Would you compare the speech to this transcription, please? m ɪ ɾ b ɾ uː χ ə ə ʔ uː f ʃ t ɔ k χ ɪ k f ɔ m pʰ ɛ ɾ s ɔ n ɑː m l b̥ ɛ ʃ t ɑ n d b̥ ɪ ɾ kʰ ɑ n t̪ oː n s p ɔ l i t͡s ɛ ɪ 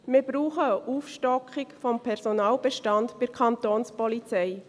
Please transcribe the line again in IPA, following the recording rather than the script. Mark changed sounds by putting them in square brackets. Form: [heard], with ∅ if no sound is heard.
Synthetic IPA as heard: m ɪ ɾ b ɾ uː χ ə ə ʔ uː f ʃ t ɔ k χ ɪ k f ɔ m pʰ ɛ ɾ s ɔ n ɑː [∅] l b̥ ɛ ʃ t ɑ n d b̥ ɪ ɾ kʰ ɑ n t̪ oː n s p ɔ l i t͡s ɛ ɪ